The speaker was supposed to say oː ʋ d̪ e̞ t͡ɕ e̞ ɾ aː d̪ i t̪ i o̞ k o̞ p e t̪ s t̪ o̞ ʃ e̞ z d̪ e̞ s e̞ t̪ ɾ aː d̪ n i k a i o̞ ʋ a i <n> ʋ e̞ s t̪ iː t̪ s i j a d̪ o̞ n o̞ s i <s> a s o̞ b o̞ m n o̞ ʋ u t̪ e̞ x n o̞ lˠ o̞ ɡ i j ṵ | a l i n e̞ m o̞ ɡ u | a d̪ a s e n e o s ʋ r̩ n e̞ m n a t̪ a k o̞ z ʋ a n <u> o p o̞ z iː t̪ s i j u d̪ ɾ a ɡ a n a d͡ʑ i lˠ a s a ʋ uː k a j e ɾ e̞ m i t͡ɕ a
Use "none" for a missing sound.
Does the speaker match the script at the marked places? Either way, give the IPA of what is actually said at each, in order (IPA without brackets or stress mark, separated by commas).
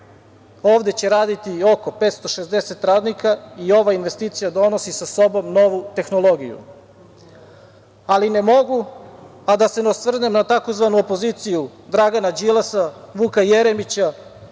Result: n, s, u